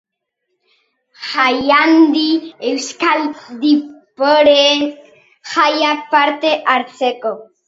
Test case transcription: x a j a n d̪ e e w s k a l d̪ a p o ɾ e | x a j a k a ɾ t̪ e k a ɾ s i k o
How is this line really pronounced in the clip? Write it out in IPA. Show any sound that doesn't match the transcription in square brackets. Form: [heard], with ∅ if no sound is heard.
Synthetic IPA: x a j a n d̪ [i] e w s k a l d̪ [i] p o ɾ e | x a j a [p] a ɾ t̪ e [ʔ] a ɾ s [e] k o